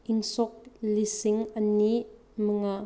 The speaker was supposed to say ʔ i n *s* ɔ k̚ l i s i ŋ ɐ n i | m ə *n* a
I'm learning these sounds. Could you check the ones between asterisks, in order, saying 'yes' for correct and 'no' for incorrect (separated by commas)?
yes, no